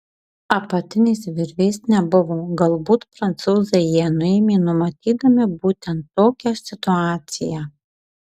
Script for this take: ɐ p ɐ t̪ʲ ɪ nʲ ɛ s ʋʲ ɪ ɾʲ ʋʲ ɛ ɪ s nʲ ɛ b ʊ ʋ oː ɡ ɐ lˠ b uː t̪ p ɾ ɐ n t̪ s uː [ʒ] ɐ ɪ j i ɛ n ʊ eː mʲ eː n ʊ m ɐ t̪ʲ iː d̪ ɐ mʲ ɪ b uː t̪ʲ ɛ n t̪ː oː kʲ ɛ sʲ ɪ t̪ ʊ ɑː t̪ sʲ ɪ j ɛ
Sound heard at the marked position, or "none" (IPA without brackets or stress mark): z